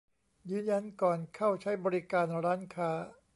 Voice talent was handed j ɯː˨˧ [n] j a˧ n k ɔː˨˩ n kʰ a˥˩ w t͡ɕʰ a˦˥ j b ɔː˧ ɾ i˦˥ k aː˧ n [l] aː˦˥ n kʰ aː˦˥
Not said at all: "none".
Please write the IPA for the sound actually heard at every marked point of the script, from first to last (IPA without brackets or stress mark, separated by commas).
n, ɾ